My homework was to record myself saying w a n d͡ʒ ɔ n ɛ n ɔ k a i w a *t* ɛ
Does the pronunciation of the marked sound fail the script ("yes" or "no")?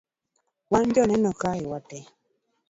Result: no